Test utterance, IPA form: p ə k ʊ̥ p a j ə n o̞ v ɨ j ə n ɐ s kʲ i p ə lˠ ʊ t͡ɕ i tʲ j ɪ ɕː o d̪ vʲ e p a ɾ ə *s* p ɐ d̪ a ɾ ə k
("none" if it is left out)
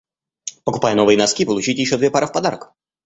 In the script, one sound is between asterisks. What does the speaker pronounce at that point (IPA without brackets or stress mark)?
f